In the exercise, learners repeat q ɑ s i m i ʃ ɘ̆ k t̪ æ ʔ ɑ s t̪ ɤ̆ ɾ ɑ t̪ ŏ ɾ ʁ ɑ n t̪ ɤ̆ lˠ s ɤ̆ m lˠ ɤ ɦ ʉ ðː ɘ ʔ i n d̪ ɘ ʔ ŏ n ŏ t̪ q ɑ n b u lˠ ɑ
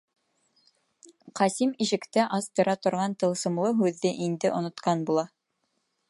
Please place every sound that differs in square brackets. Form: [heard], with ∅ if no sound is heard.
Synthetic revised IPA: q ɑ s i m i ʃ ɘ̆ k t̪ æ ʔ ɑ s t̪ ɤ̆ ɾ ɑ t̪ ŏ ɾ ʁ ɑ n t̪ ɤ̆ lˠ s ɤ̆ m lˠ ɤ ɦ ʉ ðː ɘ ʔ i n d̪ ɘ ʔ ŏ n ŏ t̪ q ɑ n b u lˠ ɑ